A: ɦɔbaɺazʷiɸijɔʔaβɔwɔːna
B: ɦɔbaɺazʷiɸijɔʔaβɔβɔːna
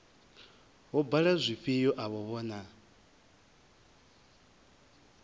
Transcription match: B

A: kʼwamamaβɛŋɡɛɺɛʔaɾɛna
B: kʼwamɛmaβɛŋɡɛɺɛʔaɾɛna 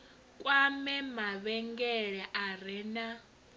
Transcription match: B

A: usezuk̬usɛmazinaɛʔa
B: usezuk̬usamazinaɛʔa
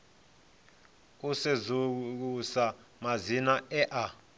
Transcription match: B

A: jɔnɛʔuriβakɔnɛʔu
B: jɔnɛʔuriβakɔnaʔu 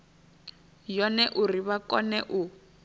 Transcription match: A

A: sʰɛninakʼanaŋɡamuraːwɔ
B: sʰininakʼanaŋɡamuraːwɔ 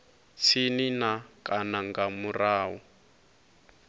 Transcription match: B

